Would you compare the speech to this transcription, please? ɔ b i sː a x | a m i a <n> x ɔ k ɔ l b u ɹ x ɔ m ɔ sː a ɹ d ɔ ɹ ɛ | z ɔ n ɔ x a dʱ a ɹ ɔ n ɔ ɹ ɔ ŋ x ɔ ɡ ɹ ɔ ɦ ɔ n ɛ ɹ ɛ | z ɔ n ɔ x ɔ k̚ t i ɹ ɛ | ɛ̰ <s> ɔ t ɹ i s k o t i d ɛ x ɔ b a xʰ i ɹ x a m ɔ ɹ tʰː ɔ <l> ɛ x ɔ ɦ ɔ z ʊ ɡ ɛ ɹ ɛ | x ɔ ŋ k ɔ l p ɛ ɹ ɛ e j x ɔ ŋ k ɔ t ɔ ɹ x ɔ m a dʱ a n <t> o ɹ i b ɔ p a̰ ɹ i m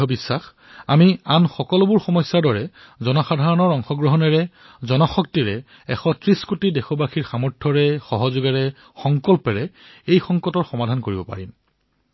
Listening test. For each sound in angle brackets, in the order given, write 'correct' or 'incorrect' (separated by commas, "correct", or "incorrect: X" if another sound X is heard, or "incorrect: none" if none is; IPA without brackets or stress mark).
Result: correct, incorrect: x, incorrect: ɹ, incorrect: k